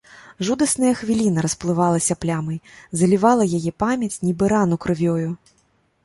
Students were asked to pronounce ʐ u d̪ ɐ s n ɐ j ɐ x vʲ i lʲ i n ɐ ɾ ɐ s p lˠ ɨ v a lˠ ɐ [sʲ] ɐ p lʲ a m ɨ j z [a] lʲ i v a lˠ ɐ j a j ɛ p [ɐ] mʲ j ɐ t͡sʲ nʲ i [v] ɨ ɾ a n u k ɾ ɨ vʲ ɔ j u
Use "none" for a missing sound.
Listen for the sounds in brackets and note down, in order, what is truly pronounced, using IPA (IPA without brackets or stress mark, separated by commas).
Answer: sʲ, ɐ, a, b